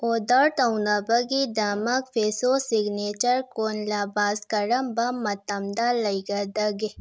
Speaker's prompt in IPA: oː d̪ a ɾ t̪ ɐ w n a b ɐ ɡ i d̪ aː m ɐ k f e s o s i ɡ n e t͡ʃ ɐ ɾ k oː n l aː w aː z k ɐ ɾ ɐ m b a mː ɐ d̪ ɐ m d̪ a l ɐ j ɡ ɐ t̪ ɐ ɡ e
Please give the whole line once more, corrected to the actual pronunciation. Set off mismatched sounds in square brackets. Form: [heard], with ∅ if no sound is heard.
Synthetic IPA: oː d̪ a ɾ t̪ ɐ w n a b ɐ ɡ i d̪ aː m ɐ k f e s o s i ɡ n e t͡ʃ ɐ ɾ k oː n l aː [b] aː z k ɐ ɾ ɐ m b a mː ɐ [t̪] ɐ m d̪ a l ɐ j ɡ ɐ [d̪] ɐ ɡ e

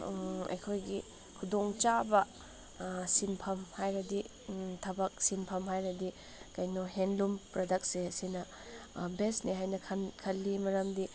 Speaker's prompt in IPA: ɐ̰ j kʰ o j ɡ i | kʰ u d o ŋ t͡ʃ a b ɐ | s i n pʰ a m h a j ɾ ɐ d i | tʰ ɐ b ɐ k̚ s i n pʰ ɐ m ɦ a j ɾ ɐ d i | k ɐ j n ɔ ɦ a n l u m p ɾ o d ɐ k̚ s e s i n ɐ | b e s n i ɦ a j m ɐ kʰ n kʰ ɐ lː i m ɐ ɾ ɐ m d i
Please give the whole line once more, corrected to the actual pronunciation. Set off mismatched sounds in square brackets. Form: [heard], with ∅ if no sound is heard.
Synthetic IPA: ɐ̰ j kʰ o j ɡ i | kʰ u d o ŋ t͡ʃ a b ɐ | s i n pʰ [ɐ] m h a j ɾ ɐ d i | tʰ ɐ b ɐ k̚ s i n pʰ ɐ m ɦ a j ɾ ɐ d i | k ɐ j n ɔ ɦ [e] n l u m p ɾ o d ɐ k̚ s e s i n ɐ | b e s n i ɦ a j [n] ɐ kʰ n kʰ ɐ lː i m ɐ ɾ ɐ m d i

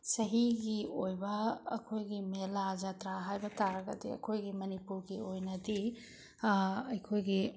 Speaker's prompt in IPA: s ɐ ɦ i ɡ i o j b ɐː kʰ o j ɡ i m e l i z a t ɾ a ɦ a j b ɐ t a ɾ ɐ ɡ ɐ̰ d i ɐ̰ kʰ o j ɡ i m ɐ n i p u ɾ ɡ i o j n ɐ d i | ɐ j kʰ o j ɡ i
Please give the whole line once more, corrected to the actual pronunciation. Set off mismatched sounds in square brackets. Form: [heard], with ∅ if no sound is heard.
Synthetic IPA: s ɐ ɦ i ɡ i o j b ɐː kʰ o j ɡ i m e l [a] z a t ɾ a ɦ a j b ɐ t a ɾ ɐ ɡ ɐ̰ d i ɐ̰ kʰ o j ɡ i m ɐ n i p u ɾ ɡ i o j n ɐ d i | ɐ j kʰ o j ɡ i

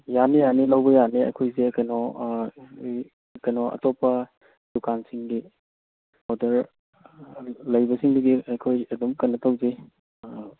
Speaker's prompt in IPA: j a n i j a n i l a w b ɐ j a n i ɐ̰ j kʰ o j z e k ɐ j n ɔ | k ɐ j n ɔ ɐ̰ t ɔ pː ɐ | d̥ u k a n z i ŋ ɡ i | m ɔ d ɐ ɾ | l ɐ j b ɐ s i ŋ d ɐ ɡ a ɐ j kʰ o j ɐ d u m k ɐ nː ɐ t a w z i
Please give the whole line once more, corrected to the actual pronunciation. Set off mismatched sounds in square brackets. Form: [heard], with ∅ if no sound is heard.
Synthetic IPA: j a n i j a n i l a w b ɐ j a n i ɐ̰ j kʰ o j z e k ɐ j n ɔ | k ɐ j n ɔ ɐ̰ t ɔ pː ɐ | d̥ u k a n [s] i ŋ ɡ i | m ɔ d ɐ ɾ | l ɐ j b ɐ s i ŋ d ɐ ɡ [i] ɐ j kʰ o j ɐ d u m k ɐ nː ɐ t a w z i

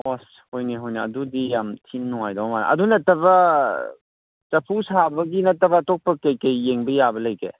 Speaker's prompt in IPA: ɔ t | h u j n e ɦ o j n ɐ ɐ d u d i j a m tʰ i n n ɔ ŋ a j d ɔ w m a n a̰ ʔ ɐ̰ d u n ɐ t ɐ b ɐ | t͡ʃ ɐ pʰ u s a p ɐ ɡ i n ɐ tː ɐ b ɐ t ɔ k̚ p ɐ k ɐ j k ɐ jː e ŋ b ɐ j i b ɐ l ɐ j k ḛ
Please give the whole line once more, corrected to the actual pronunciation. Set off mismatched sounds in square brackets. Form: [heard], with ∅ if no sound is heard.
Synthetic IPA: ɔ [s] | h [o] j n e ɦ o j n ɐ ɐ d u d i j a m tʰ i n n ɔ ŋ a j d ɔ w m a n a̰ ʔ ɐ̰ d u n ɐ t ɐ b ɐ | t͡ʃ ɐ pʰ u s a [b] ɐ ɡ i n ɐ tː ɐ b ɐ t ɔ k̚ p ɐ k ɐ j k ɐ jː e ŋ b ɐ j [a] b ɐ l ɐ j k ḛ

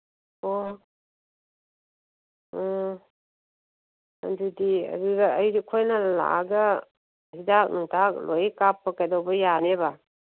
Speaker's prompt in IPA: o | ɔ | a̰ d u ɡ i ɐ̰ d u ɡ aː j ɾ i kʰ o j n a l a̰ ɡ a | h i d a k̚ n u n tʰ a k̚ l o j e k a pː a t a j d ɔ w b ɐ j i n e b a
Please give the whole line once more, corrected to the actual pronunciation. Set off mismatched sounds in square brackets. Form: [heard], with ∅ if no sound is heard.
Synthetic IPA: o | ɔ | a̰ d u [d] i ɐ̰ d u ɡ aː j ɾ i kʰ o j n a l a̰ ɡ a | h i d a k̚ n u [ŋ] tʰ a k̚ l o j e k a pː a [k] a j d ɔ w b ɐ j [a] n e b a

